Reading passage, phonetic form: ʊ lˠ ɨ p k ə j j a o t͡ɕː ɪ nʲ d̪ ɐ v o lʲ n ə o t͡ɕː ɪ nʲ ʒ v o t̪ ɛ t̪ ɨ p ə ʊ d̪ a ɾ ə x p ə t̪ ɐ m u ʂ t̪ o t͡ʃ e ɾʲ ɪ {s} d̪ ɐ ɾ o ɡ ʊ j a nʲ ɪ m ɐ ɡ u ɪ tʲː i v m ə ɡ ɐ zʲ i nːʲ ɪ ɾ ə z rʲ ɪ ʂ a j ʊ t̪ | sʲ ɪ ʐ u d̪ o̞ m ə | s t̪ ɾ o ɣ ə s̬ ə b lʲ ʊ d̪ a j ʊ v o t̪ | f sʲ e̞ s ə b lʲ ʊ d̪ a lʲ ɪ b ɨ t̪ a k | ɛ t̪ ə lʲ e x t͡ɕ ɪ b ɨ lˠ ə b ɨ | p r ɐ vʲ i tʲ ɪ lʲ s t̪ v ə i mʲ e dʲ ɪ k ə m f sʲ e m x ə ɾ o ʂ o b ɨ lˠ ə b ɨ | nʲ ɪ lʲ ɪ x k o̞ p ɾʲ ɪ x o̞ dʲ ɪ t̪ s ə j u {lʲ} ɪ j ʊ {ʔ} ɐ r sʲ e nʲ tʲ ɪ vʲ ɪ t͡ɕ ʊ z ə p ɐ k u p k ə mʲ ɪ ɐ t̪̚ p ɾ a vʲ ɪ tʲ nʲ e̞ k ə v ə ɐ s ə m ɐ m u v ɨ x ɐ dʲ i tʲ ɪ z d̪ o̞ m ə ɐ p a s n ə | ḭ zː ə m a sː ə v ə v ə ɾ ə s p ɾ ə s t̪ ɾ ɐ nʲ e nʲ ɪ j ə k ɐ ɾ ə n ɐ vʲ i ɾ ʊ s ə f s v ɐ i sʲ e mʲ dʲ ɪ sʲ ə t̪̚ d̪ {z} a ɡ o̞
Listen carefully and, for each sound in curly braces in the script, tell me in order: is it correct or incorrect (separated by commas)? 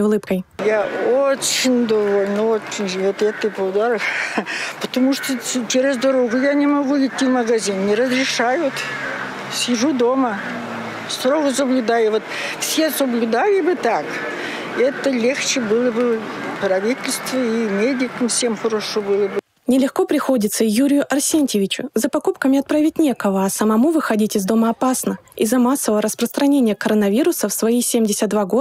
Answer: incorrect, incorrect, correct, incorrect